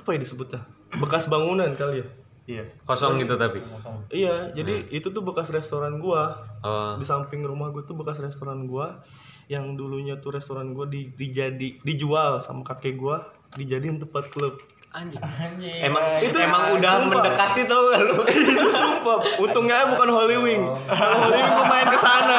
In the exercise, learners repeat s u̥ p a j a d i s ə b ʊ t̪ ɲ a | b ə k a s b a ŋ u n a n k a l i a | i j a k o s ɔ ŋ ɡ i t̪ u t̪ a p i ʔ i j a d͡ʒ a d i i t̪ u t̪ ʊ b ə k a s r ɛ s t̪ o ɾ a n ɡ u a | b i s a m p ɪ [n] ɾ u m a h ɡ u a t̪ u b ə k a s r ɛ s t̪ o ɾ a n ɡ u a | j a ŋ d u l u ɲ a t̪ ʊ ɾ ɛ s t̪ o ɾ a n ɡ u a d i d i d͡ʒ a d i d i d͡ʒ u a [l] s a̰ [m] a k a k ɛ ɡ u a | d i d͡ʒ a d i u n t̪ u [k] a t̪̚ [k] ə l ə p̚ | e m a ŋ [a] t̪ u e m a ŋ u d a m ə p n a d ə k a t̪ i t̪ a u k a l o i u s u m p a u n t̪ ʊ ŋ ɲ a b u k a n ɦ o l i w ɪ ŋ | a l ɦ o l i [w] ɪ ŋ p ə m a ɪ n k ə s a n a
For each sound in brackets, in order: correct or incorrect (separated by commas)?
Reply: incorrect, correct, correct, incorrect, correct, incorrect, correct